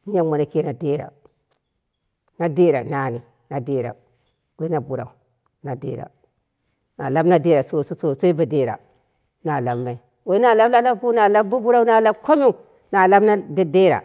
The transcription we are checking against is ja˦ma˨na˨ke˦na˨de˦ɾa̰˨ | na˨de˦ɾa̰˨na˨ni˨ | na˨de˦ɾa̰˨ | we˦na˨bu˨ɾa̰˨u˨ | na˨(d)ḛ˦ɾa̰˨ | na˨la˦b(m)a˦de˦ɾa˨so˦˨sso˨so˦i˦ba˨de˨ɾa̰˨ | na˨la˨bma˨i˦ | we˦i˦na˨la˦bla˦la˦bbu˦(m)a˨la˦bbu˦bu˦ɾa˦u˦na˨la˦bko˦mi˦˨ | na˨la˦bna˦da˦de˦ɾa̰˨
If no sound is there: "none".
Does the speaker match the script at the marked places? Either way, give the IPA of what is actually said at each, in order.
d, n, n

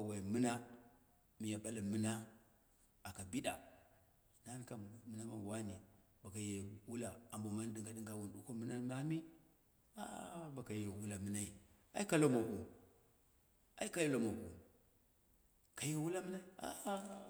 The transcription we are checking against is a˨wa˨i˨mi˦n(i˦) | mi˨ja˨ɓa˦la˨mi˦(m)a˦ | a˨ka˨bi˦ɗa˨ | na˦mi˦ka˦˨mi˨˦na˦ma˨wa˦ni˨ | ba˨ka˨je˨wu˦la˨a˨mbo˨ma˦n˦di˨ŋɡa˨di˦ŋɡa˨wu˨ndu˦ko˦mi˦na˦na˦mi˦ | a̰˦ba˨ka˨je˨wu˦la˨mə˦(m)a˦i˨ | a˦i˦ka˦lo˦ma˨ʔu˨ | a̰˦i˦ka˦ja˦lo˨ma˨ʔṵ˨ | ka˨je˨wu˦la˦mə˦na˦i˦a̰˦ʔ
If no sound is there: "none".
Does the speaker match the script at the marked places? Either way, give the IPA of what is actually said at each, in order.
a˦, n, n

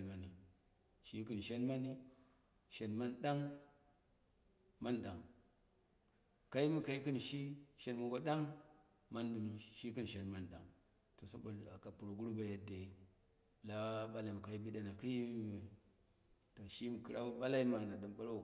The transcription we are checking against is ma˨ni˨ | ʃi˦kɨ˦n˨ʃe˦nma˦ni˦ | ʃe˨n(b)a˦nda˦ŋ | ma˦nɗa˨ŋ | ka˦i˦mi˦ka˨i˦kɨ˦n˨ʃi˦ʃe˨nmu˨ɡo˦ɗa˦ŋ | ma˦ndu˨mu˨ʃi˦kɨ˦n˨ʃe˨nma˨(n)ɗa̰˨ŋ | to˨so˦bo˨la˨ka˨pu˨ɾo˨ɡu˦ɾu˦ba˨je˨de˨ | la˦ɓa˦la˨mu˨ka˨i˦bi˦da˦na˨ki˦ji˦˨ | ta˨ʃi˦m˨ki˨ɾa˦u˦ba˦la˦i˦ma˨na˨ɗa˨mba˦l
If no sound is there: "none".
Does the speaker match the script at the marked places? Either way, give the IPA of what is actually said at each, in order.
m, n

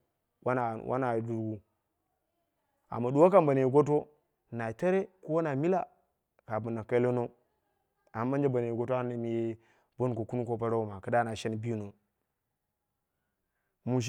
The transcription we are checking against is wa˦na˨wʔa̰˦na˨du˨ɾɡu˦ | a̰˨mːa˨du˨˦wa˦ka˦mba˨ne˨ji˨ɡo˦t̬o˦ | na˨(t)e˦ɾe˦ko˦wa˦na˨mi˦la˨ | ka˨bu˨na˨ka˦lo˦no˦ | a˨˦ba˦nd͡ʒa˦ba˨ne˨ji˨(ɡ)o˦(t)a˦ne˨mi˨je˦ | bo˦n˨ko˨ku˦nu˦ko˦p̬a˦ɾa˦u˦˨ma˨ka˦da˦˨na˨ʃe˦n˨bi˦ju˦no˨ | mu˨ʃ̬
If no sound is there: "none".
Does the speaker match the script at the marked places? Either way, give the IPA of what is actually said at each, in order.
t, ɡ, t

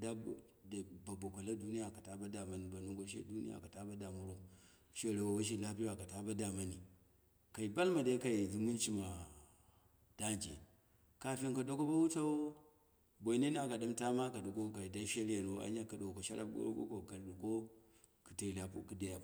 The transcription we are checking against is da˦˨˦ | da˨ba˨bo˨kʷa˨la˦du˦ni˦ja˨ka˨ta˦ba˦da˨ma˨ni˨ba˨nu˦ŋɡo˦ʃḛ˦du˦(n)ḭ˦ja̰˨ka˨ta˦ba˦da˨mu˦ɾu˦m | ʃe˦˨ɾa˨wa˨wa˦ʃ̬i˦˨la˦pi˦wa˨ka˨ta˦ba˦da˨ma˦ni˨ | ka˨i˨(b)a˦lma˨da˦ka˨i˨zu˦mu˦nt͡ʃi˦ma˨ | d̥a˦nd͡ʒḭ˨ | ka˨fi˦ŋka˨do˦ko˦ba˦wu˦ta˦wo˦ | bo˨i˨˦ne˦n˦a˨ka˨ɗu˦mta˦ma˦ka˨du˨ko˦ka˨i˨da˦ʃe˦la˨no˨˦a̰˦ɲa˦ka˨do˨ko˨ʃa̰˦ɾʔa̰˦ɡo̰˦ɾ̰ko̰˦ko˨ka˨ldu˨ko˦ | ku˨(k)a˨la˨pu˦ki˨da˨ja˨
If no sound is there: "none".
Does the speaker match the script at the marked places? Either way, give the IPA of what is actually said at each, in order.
n, b, t

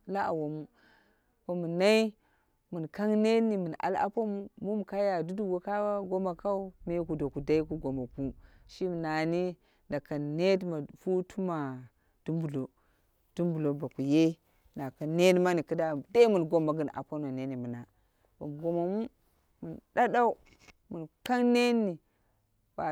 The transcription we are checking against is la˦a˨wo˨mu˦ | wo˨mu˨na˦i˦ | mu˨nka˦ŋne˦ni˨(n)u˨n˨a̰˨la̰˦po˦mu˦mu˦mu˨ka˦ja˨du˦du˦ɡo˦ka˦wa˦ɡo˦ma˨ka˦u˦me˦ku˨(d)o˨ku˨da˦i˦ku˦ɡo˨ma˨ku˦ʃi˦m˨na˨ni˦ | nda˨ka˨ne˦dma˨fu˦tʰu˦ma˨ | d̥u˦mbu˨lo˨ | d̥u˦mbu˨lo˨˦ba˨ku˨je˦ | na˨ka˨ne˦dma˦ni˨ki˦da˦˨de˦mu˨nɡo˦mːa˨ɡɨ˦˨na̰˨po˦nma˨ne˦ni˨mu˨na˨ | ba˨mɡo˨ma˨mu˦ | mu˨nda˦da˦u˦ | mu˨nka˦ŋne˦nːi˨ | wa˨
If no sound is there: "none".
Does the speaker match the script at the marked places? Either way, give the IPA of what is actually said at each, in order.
m, d

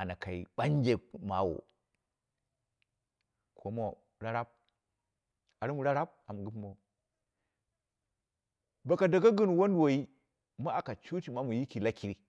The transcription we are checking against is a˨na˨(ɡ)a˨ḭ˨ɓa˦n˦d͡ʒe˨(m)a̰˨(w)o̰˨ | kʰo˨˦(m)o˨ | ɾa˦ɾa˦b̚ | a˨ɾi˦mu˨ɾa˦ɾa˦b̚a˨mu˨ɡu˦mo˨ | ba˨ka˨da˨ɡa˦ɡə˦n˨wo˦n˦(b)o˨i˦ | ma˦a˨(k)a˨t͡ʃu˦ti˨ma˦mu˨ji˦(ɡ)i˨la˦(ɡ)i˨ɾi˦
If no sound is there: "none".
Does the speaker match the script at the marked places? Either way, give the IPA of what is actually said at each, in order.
k, m, w, m, w, k, k, k

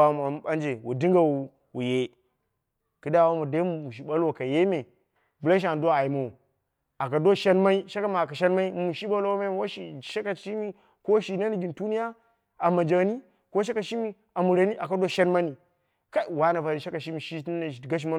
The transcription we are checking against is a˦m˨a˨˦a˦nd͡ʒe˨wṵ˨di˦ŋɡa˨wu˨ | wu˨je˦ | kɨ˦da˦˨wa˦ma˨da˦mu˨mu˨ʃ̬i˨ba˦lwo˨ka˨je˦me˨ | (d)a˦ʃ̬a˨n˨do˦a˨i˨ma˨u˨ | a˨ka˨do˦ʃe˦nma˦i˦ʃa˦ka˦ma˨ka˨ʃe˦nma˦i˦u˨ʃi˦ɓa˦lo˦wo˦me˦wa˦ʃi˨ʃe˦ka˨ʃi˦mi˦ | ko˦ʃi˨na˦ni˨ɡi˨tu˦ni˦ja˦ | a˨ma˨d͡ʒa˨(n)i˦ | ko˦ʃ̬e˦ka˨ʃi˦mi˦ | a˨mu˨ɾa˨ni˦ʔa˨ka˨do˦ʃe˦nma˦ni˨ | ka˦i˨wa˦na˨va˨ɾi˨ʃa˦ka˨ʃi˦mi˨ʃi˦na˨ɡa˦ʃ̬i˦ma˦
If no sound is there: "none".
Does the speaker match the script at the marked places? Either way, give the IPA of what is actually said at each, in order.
b, n

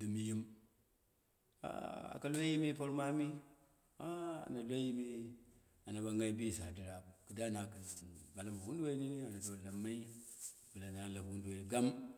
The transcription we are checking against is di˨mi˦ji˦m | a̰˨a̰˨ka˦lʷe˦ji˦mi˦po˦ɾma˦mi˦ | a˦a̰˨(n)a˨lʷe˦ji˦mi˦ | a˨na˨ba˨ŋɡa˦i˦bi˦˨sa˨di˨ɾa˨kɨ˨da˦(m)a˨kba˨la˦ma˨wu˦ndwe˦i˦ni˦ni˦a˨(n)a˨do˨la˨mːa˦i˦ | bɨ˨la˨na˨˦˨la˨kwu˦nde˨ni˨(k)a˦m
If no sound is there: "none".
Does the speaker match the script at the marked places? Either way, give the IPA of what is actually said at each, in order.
n, n, n, ɡ

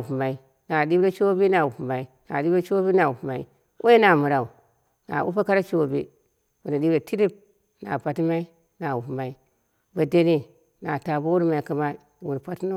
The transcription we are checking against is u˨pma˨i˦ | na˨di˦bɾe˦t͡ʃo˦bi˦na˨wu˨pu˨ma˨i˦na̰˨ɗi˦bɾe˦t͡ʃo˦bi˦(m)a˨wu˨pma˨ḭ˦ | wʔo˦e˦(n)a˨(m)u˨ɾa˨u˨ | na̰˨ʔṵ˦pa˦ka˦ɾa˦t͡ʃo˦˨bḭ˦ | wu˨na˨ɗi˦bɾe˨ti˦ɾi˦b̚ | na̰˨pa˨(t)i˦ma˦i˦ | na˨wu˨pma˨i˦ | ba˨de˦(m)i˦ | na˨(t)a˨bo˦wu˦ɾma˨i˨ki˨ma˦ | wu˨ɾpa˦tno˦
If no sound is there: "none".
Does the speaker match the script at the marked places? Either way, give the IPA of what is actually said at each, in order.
n, n, m, t, n, t

